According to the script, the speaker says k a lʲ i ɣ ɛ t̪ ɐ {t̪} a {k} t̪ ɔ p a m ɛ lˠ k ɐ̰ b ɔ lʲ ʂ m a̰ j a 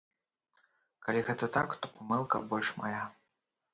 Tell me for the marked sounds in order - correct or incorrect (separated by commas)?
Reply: correct, correct